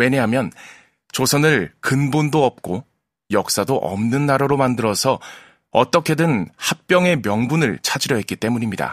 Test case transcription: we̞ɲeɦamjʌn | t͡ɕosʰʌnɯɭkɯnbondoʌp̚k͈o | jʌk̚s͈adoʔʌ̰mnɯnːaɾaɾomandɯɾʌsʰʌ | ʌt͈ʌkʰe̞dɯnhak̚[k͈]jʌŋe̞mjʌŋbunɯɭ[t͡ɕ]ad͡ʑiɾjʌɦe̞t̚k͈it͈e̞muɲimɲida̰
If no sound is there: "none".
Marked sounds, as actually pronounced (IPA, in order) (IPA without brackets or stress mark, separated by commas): p͈, t͡ɕʰ